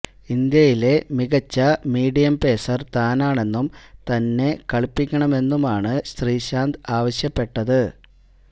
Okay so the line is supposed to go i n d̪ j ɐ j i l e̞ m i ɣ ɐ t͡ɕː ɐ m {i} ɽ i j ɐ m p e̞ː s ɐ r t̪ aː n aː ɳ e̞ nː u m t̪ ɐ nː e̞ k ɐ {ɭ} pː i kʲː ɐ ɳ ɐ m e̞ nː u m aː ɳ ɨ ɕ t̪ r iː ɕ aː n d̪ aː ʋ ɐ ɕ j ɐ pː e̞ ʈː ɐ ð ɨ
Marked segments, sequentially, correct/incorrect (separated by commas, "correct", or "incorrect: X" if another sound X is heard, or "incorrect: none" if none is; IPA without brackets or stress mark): incorrect: iː, correct